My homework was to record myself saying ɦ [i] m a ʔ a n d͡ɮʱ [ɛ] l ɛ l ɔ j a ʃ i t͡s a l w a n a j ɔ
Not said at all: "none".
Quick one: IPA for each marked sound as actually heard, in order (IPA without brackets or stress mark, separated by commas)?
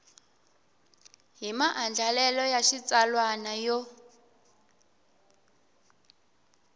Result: i, a